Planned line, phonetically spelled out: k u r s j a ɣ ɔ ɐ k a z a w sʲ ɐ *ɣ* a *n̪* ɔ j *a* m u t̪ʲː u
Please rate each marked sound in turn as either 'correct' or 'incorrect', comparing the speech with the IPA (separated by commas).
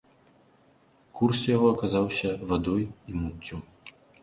incorrect, incorrect, incorrect